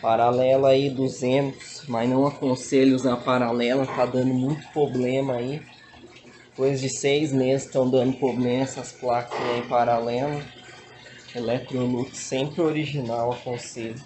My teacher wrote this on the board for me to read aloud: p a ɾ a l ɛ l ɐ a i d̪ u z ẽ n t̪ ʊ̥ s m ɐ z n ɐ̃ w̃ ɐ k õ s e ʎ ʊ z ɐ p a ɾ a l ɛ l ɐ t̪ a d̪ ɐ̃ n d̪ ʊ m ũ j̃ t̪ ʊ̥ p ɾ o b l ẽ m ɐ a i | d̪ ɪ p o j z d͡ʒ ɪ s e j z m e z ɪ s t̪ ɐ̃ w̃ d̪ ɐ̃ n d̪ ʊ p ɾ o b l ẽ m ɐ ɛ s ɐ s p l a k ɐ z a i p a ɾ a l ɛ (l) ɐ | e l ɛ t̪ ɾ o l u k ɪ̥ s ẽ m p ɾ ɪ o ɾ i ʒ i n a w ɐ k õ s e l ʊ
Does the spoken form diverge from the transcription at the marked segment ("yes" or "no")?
no